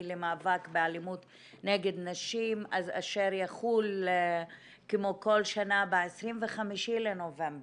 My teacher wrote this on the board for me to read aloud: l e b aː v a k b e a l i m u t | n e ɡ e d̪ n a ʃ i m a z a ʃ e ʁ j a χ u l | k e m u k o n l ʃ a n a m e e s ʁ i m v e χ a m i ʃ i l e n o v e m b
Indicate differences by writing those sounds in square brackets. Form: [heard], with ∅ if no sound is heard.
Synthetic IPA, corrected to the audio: l e [m] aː v a k b e a l i m u t | n e ɡ e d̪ n a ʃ i m a z a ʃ e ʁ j a χ u l | k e m [o] k o [∅] l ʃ a n a [b] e e s ʁ i m v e χ a m i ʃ i l e n o v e m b